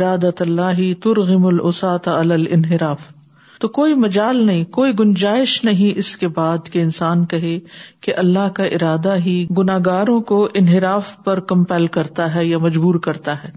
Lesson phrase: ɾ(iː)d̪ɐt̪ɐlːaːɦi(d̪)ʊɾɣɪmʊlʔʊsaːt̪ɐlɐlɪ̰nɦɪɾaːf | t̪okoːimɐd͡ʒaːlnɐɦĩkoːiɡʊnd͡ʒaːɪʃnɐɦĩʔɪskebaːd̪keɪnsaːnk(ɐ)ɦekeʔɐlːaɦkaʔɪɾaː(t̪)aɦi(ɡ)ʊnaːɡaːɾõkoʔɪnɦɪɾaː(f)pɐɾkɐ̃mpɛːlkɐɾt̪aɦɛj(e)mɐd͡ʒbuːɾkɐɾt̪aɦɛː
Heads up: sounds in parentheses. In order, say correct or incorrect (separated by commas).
incorrect, incorrect, correct, incorrect, correct, correct, incorrect